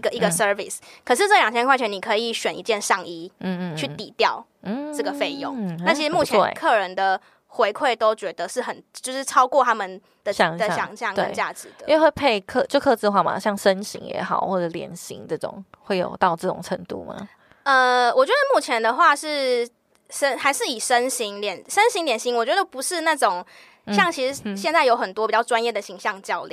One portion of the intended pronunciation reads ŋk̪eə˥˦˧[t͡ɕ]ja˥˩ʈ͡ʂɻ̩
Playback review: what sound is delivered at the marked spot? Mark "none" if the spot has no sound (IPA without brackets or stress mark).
t͡ɕ